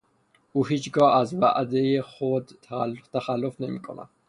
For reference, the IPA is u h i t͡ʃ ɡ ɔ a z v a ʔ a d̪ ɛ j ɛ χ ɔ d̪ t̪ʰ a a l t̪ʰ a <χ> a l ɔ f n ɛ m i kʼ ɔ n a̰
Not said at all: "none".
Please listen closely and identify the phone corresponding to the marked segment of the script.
χ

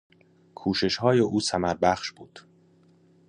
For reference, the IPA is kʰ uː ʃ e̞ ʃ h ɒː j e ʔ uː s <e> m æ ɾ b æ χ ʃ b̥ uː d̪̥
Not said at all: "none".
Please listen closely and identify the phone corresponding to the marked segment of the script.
æ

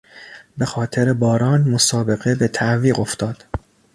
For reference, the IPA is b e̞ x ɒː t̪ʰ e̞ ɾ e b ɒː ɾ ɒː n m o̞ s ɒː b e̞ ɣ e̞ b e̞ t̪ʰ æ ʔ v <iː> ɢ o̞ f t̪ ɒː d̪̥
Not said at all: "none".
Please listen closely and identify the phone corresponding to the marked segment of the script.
iː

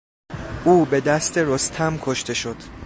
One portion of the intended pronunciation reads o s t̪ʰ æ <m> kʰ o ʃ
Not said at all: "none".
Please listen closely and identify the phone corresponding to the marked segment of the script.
m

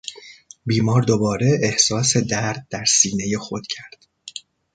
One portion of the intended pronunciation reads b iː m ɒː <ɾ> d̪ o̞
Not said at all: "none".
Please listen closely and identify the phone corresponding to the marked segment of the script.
ɾ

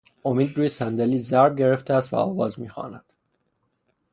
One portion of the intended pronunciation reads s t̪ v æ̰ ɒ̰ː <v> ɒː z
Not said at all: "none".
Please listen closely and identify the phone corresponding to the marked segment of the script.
v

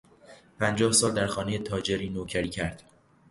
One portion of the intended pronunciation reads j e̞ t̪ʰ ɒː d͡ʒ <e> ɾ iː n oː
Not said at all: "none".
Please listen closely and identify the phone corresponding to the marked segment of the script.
e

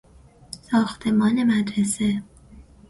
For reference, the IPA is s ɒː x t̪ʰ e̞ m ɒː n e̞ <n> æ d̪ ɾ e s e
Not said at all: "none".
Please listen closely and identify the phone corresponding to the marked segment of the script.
m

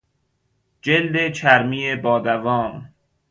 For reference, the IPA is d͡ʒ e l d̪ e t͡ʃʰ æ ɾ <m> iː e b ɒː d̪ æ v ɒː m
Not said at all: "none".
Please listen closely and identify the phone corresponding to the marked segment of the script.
m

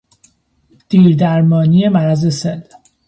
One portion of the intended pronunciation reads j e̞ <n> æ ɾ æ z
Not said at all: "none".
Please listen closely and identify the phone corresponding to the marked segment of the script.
m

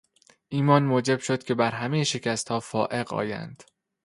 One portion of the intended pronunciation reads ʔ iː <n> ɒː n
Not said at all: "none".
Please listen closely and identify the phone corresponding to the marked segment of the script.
m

